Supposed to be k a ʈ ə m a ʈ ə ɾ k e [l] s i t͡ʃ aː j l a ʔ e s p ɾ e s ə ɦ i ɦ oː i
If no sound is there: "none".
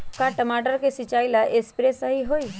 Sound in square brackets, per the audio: none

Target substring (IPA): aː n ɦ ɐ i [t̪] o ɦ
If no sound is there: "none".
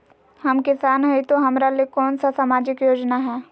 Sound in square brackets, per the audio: t̪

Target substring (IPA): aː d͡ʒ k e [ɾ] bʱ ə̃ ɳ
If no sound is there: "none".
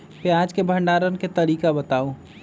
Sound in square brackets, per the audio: none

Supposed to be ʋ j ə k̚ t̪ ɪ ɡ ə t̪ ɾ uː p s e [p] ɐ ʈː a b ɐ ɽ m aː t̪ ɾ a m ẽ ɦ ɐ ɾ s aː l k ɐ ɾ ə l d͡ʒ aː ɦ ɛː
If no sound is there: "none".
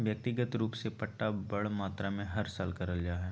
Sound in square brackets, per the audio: p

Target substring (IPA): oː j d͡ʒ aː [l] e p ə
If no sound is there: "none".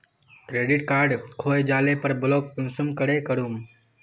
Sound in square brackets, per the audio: l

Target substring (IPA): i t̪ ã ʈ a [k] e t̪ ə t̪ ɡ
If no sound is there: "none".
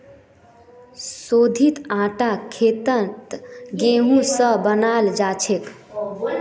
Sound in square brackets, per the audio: kʰ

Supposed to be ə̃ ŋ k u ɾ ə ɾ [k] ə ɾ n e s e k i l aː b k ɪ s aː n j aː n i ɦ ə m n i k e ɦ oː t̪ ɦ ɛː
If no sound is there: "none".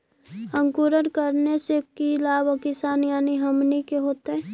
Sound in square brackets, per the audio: k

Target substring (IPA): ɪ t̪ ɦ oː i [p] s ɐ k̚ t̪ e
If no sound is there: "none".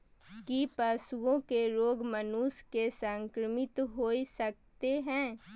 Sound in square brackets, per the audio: none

